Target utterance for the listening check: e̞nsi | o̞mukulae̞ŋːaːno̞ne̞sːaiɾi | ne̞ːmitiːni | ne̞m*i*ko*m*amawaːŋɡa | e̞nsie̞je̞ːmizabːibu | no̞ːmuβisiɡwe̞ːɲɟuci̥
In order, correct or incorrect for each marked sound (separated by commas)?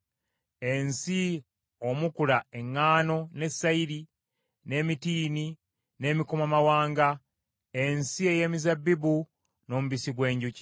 correct, correct